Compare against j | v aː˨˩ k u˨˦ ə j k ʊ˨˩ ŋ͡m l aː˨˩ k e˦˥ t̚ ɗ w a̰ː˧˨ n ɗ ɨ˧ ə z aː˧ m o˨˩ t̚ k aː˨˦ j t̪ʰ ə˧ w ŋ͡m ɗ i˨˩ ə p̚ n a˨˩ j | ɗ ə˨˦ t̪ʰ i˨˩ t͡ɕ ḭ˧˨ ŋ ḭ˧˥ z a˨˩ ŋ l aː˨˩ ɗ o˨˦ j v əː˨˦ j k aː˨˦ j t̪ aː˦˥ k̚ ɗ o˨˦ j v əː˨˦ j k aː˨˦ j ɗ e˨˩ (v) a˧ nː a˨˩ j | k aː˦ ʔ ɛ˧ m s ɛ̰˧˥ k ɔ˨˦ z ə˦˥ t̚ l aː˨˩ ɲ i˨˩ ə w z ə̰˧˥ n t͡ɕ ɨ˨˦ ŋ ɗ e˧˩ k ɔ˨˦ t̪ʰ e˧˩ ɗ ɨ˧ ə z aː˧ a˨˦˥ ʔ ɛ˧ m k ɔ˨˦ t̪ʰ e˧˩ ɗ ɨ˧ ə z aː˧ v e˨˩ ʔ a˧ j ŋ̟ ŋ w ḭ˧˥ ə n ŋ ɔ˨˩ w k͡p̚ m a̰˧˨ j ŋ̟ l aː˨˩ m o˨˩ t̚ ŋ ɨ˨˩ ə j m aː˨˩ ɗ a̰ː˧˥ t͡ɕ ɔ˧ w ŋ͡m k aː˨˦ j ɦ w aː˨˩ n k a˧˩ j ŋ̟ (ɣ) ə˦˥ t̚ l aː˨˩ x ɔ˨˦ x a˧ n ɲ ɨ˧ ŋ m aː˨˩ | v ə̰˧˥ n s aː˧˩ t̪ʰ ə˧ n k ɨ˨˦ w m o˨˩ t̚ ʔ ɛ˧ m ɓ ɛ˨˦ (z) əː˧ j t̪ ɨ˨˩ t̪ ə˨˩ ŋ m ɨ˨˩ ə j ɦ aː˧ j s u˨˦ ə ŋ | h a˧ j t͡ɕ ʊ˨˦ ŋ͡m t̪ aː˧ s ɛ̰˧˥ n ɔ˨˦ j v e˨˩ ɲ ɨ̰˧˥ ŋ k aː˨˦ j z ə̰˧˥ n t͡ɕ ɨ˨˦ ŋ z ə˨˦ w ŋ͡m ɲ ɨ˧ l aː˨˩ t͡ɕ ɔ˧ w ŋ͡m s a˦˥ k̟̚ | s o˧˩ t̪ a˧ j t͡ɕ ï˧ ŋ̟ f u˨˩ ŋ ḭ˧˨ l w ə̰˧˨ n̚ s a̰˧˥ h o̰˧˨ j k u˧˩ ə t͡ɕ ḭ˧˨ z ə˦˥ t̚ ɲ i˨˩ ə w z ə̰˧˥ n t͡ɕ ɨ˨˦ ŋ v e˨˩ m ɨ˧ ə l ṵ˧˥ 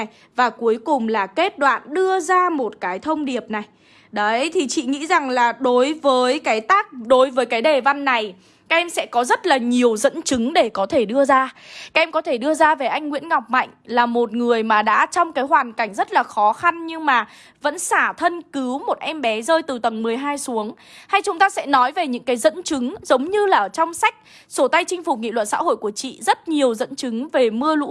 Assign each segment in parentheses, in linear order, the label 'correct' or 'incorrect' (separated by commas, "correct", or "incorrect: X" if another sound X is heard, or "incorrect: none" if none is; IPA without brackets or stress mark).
correct, incorrect: z, correct